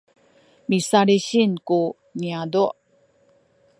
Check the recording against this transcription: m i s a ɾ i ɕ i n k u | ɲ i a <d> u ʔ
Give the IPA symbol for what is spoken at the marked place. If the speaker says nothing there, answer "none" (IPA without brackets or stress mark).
d